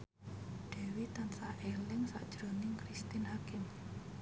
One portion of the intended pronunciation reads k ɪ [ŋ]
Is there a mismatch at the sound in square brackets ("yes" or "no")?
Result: yes